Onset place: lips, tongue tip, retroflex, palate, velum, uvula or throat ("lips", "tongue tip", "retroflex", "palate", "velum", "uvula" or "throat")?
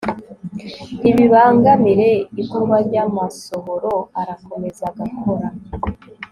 lips